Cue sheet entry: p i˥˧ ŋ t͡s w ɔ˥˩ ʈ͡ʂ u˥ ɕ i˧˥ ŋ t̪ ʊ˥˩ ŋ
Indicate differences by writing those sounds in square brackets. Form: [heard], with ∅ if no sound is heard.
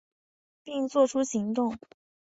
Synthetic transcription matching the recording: p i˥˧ ŋ t͡s w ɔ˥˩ [ʈ͡ʂʰ] u˥ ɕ i˧˥ ŋ t̪ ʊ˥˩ ŋ